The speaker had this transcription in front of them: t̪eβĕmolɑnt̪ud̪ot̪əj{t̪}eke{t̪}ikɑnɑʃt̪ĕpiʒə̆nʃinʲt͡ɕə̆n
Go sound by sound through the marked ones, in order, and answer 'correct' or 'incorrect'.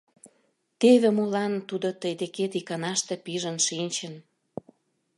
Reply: incorrect: d̪, correct

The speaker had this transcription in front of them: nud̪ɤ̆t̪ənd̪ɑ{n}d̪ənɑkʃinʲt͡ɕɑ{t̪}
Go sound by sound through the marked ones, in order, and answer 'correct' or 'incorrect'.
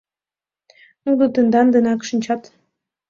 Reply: correct, correct

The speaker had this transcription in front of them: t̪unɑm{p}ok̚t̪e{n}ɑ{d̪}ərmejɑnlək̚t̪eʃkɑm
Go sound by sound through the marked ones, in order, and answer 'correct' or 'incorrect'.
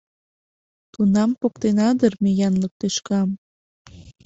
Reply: correct, correct, correct

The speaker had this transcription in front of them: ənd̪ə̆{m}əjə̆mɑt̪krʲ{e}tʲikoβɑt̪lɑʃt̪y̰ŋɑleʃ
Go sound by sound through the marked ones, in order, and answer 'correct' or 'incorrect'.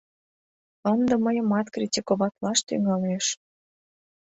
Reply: correct, incorrect: i

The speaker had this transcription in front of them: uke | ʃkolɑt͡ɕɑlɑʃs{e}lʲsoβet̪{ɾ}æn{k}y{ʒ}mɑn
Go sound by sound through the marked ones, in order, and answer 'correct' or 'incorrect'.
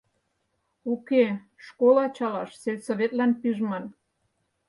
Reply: correct, incorrect: l, incorrect: p, correct

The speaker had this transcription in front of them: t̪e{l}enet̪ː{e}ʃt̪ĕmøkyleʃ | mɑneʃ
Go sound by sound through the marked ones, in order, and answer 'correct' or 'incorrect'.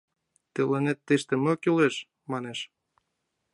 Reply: correct, correct

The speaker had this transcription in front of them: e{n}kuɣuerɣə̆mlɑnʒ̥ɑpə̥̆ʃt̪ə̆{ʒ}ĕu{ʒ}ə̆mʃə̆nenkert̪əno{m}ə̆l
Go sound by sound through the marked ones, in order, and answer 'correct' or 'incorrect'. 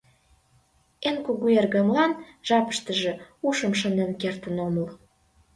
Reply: correct, correct, incorrect: ʃ, correct

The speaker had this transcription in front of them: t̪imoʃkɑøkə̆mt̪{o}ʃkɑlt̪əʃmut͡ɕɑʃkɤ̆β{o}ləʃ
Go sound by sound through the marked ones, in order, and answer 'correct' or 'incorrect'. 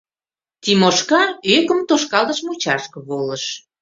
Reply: correct, correct

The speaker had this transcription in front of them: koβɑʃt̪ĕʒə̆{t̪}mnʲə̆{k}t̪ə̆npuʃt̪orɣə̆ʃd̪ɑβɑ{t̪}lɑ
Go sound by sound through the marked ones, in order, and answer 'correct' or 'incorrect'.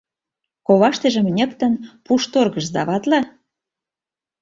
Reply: incorrect: none, correct, correct

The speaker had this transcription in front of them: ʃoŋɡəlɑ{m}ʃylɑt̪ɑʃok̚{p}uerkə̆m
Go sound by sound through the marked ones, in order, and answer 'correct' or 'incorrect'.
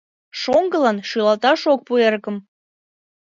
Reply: incorrect: n, correct

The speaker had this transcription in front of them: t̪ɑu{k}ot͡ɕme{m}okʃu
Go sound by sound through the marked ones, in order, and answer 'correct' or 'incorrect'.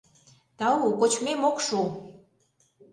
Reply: correct, correct

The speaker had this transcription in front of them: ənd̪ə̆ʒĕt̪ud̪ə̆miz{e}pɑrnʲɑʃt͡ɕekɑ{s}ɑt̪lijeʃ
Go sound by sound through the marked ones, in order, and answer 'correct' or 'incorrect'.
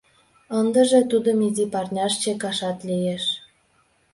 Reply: incorrect: i, incorrect: ʃ

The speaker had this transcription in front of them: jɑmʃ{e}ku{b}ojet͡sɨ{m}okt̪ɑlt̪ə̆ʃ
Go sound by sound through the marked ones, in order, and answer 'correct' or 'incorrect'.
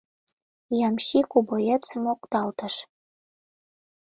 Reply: incorrect: i, correct, correct

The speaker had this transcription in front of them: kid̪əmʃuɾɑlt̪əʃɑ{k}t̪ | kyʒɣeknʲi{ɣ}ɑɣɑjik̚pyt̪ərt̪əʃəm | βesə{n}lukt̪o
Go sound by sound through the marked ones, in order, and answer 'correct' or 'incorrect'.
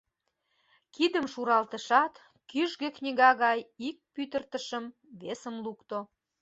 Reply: incorrect: none, correct, incorrect: m

